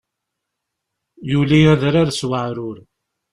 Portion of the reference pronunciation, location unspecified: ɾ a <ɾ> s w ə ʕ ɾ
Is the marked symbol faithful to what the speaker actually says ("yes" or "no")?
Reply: yes